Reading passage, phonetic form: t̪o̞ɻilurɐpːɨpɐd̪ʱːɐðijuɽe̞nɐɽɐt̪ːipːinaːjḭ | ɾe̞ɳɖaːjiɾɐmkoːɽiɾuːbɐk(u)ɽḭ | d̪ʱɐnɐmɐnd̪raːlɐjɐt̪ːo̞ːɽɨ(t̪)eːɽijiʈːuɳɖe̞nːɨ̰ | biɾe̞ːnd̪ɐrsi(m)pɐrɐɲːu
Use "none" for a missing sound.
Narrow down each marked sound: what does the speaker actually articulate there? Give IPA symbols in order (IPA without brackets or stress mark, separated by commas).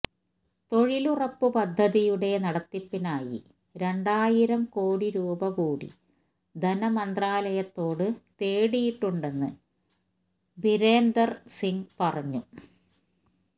uː, t̪, ŋ